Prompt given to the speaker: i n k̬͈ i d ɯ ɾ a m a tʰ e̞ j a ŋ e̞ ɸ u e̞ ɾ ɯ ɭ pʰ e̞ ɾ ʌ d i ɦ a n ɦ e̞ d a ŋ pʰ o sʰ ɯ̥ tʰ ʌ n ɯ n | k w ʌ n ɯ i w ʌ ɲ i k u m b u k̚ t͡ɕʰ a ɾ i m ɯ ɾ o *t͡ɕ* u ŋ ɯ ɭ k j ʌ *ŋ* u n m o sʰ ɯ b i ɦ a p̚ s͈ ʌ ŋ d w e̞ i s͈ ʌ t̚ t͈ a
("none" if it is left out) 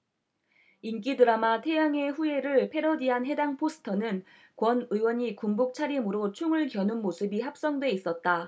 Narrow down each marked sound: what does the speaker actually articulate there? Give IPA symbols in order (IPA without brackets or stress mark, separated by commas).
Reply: t͡ɕʰ, n